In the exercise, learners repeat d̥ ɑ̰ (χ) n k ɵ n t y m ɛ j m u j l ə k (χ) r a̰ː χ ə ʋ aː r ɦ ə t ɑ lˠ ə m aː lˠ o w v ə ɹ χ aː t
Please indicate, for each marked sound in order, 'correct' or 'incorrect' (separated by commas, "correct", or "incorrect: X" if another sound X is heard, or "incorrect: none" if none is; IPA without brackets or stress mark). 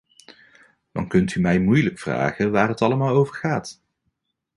incorrect: none, incorrect: f